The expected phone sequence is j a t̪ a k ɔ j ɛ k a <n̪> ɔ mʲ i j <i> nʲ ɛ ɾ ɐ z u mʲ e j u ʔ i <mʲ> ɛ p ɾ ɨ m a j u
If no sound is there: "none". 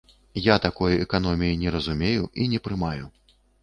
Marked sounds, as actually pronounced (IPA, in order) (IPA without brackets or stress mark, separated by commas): n̪, i, nʲ